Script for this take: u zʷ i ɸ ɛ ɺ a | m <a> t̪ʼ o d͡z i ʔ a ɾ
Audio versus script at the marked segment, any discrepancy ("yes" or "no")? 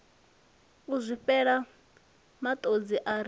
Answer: no